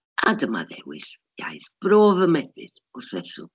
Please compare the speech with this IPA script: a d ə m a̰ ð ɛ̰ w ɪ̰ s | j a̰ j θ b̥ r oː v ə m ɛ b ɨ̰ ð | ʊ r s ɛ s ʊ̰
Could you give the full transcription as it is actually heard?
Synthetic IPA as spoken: a d ə m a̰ ð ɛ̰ w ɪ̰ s | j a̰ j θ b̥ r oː v ə m ɛ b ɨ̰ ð | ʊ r θ ɛ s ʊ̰